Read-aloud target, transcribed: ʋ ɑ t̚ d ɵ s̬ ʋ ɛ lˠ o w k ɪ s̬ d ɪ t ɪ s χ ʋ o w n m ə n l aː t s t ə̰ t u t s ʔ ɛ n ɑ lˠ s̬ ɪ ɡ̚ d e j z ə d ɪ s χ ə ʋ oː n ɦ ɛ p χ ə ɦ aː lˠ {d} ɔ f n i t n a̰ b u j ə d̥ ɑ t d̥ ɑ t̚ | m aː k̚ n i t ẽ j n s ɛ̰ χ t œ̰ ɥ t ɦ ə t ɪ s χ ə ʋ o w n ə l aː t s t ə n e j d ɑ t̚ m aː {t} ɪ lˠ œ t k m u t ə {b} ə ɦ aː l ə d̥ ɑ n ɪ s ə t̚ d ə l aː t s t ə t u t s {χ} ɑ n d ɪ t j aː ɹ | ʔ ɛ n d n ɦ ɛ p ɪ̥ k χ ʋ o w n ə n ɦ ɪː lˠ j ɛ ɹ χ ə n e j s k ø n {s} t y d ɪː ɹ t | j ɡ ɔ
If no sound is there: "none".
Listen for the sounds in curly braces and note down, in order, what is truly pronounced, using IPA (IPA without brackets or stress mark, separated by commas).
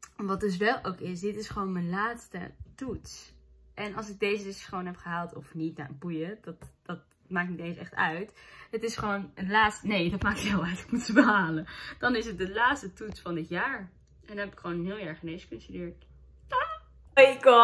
t, k, b, f, s